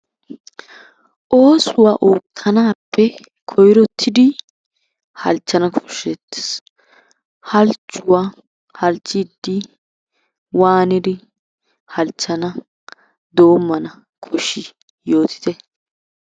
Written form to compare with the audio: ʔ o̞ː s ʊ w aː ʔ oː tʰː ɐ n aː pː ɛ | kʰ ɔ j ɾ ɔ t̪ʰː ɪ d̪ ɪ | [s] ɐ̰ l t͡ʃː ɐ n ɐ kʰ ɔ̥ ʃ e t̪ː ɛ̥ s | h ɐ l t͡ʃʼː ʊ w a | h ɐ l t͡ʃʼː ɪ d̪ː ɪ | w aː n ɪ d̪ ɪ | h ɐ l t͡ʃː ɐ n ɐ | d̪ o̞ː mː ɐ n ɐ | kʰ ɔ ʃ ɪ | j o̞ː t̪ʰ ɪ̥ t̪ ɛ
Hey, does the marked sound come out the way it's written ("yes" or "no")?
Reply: no